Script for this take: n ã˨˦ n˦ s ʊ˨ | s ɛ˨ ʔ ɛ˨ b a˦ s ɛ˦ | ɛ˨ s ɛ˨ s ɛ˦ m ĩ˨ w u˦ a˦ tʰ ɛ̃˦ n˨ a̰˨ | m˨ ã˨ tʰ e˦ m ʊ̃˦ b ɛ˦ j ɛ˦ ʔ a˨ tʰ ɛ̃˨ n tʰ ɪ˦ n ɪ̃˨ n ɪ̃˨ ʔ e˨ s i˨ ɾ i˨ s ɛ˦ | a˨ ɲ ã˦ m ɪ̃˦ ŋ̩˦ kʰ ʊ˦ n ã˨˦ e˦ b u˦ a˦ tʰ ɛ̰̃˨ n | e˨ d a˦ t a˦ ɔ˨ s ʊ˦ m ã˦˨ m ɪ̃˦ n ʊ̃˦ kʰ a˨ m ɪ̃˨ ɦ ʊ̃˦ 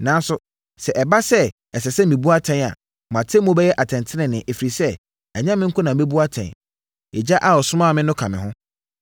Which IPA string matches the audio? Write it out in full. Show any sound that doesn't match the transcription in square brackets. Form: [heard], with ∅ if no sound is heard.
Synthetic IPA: n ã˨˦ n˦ s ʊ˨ | s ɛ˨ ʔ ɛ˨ b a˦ s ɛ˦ | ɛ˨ s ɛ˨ s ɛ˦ m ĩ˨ [b] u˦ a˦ tʰ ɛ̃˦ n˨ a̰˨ | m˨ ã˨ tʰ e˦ m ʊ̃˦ b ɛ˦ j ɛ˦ ʔ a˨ tʰ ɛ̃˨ n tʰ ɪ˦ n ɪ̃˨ n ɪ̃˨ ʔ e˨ [f] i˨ ɾ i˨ s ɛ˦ | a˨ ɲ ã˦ m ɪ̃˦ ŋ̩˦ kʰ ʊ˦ n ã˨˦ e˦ b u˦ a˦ tʰ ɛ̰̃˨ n | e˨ [d͡ʑ] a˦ [ʔ] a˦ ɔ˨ s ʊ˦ m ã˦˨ m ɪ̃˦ n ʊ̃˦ kʰ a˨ m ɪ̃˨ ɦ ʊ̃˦